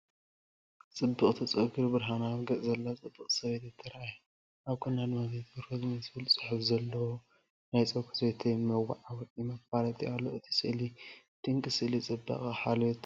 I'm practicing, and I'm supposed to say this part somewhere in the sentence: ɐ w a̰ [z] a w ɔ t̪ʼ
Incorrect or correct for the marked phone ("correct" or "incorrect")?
incorrect